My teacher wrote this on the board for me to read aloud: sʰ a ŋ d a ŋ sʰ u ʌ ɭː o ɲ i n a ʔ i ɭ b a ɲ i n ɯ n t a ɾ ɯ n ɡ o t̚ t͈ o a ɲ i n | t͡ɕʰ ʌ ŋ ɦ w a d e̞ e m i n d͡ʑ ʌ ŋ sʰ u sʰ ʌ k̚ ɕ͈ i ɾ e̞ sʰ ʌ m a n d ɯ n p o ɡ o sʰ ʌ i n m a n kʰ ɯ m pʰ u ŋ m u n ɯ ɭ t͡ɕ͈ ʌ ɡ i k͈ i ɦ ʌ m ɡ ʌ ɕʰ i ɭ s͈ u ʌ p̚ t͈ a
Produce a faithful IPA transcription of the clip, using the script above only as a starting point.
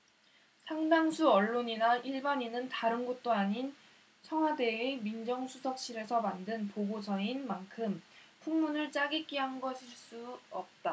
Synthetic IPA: sʰ a ŋ d a ŋ sʰ u ʌ ɭː o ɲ i n a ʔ i ɭ b a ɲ i n ɯ n t a ɾ ɯ n ɡ o t̚ t͈ o a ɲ i n | t͡ɕʰ ʌ ŋ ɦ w a d e̞ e m i n d͡ʑ ʌ ŋ sʰ u sʰ ʌ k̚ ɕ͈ i ɾ e̞ sʰ ʌ m a n d ɯ n p o ɡ o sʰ ʌ i n m a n kʰ ɯ m pʰ u ŋ m u n ɯ ɭ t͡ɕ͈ a ɡ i k͈ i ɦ a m ɡ ʌ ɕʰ i ɭ s͈ u ʌ p̚ t͈ a

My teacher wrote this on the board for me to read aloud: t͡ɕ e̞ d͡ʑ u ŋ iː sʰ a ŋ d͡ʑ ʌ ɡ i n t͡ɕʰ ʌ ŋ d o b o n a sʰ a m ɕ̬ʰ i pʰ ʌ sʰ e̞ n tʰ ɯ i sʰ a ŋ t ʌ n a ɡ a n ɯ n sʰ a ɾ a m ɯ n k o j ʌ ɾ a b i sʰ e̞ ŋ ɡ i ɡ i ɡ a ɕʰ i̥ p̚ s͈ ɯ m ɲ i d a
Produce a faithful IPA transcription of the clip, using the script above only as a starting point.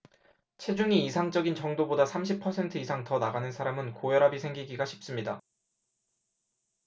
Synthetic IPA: t͡ɕʰ e̞ d͡ʑ u ŋ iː sʰ a ŋ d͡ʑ ʌ ɡ i n t͡ɕ ʌ ŋ d o b o d a sʰ a m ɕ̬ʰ i pʰ ʌ sʰ e̞ n tʰ ɯ i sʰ a ŋ t ʌ n a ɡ a n ɯ n sʰ a ɾ a m ɯ n k o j ʌ ɾ a b i sʰ e̞ ŋ ɡ i ɡ i ɡ a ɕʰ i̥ p̚ s͈ ɯ m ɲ i d a

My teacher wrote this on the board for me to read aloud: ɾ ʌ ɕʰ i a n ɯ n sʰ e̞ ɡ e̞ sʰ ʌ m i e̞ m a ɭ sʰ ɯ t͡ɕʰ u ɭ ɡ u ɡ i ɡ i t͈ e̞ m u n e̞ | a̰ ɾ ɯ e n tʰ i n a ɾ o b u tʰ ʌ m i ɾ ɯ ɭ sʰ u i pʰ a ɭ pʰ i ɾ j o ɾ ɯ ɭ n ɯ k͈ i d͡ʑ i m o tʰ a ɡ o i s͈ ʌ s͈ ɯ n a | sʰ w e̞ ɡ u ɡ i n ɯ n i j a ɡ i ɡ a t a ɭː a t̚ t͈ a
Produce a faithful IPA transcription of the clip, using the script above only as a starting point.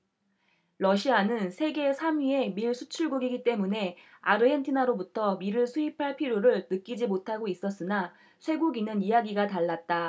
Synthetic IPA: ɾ ʌ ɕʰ i a n ɯ n sʰ e̞ ɡ e̞ sʰ a m i e̞ m i ɭ sʰ u t͡ɕʰ u ɭ ɡ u ɡ i ɡ i t͈ e̞ m u n e̞ | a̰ ɾ ɯ e n tʰ i n a ɾ o b u tʰ ʌ m i ɾ ɯ ɭ sʰ u i pʰ a ɭ pʰ i ɾ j o ɾ ɯ ɭ n ɯ k͈ i d͡ʑ i m o tʰ a ɡ o i s͈ ʌ s͈ ɯ n a | sʰ w e̞ ɡ u ɡ i n ɯ n i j a ɡ i ɡ a t a ɭː a t̚ t͈ a

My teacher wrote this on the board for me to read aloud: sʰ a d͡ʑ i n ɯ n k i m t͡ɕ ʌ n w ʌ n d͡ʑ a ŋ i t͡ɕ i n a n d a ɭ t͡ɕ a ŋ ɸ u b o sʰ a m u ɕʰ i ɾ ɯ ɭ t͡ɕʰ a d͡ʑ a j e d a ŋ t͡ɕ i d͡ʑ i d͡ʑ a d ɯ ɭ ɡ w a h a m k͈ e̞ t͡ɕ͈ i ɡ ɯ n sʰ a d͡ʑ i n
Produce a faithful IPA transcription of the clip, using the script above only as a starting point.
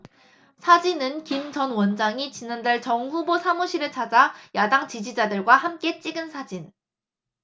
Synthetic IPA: sʰ a d͡ʑ i n ɯ n k i m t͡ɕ ʌ n w ʌ n d͡ʑ a ŋ i t͡ɕ i n a n d a ɭ t͡ɕ ʌ ŋ ɸ u b o sʰ a m u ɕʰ i ɾ ɯ ɭ t͡ɕʰ a d͡ʑ a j a d a ŋ t͡ɕ i d͡ʑ i d͡ʑ a d ɯ ɭ ɡ w a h a m k͈ e̞ t͡ɕ͈ i ɡ ɯ n sʰ a d͡ʑ i n

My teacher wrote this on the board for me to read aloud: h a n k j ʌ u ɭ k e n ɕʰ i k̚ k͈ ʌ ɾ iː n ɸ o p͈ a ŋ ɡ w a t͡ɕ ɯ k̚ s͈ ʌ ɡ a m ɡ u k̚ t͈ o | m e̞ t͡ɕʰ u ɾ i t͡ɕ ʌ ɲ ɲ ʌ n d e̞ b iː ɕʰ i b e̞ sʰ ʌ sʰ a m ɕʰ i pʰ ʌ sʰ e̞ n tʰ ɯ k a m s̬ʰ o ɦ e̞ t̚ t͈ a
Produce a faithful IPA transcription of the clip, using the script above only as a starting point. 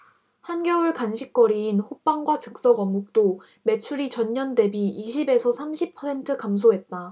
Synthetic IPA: h a n ɡ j ʌ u ɭ k a n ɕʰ i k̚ k͈ ʌ ɾ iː n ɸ o p͈ a ŋ ɡ w a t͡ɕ ɯ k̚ s͈ ʌ ɡ ʌ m ɡ u k̚ t͈ o | m e̞ t͡ɕʰ u ɾ i t͡ɕ ʌ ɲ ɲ ʌ n d e̞ b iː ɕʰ i b e̞ sʰ ʌ sʰ a m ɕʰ i pʰ ʌ sʰ e̞ n tʰ ɯ k a m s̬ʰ o ɦ e̞ t̚ t͈ a

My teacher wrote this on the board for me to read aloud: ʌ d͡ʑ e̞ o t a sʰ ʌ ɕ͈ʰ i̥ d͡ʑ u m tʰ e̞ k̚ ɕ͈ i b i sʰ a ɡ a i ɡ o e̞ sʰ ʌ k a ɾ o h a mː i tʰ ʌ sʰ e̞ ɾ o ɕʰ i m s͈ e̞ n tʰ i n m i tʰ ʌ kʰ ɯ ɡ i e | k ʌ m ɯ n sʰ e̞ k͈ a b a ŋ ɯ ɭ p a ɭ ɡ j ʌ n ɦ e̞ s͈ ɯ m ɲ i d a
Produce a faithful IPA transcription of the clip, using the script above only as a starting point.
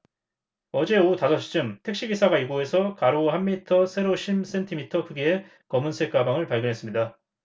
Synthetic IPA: ʌ d͡ʑ e̞ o t a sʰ ʌ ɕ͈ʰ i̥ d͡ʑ ɯ m tʰ e̞ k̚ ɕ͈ i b i sʰ a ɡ a i ɡ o e̞ sʰ ʌ k a ɾ o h a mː i tʰ ʌ sʰ e̞ ɾ o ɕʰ i m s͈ e̞ n tʰ i m i tʰ ʌ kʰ ɯ ɡ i e | k ʌ m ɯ n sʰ e̞ k͈ a b a ŋ ɯ ɭ p a ɭ ɡ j ʌ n ɦ e̞ s͈ ɯ m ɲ i d a

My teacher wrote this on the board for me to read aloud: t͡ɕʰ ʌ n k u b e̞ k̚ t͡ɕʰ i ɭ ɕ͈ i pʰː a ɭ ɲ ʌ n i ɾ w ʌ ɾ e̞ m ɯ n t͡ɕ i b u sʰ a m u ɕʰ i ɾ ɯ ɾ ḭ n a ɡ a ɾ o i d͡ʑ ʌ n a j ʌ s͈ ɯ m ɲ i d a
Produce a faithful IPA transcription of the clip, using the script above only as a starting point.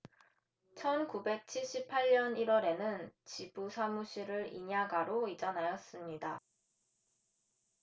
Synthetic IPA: t͡ɕʰ ʌ n k u b e̞ k̚ t͡ɕʰ i ɭ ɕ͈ i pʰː a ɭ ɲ ʌ n i ɾ w ʌ ɾ e̞ n ɯ n t͡ɕ i b u sʰ a m u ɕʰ i ɾ ɯ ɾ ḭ ɲ a ɡ a ɾ o i d͡ʑ ʌ n a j ʌ s͈ ɯ m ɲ i d a

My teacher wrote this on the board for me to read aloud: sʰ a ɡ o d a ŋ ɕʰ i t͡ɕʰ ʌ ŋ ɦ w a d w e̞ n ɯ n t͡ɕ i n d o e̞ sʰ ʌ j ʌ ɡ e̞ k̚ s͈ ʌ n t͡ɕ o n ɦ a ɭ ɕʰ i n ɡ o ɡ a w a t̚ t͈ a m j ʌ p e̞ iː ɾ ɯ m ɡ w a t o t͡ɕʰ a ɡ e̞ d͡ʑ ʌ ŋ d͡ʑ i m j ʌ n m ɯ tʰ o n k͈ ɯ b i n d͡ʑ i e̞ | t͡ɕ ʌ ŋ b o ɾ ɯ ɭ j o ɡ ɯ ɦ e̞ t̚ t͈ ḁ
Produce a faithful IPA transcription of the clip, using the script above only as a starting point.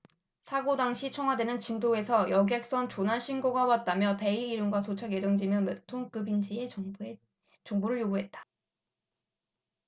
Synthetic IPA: sʰ a ɡ o d a ŋ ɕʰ i t͡ɕʰ ʌ ŋ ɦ w a d w e̞ n ɯ n t͡ɕ i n d o e̞ sʰ ʌ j ʌ ɡ e̞ k̚ s͈ ʌ n t͡ɕ o n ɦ a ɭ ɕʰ i n ɡ o ɡ a w a t̚ t͈ a m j ʌ p e̞ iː ɾ ɯ m ɡ w a t o t͡ɕʰ a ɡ e̞ d͡ʑ ʌ ŋ d͡ʑ i m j ʌ n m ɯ tʰ o ŋ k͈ ɯ b i n d͡ʑ i e̞ | t͡ɕ ʌ ŋ b o ɾ ɯ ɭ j o ɡ u ɦ e̞ t̚ t͈ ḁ

